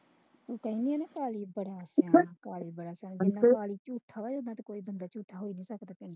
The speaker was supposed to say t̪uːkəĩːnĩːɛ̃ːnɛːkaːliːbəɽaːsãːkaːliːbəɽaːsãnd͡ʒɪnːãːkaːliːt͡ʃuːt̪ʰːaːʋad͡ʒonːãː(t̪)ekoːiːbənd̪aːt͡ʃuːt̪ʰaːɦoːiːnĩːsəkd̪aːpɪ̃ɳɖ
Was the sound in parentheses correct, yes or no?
yes